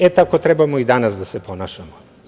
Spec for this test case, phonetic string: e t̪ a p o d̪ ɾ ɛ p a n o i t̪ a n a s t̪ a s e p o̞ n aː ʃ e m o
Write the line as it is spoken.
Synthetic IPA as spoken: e t̪ a k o t̪ ɾ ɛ b a m o i d̪ a n a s d̪ a s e p o̞ n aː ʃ a m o